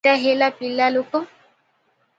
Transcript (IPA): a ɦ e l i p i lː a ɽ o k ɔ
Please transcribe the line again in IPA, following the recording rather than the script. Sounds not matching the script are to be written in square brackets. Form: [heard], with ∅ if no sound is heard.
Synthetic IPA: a ɦ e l [a] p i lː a [l] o k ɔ